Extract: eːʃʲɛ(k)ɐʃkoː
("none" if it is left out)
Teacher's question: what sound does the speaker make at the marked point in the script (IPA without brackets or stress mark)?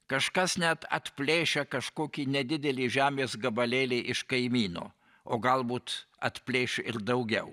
k